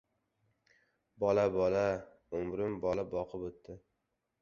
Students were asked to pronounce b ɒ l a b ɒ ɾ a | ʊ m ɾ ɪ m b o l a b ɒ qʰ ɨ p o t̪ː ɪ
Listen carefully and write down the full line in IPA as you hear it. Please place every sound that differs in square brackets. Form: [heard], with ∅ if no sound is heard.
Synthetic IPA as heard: b ɒ l a b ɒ [l] a | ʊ m ɾ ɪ m b [ɒ] l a b ɒ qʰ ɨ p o t̪ː ɪ